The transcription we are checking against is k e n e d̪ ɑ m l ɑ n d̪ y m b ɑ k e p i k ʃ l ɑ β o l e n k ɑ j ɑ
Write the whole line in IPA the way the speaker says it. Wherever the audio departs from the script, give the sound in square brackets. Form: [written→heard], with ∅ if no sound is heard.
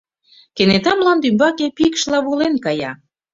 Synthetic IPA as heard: k e n e [d̪→t̪] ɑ m l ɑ n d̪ y m b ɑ k e p i k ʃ l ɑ β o l e n k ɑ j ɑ